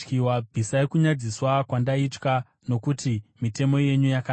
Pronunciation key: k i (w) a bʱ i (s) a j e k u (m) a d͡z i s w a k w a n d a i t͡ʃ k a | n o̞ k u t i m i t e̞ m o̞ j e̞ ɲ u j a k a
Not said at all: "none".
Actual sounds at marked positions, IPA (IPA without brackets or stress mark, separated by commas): w, s, ɲ